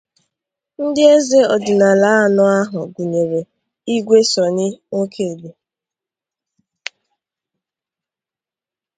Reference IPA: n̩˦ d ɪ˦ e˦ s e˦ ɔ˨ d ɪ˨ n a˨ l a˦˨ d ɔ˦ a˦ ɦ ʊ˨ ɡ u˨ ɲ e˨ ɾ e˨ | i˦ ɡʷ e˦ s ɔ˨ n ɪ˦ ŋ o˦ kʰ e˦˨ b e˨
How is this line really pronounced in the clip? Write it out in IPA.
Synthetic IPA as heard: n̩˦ d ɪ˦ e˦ z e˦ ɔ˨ d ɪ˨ n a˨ l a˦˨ n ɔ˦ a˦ ɦ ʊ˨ ɡ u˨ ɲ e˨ ɾ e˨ | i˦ ɡʷ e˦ s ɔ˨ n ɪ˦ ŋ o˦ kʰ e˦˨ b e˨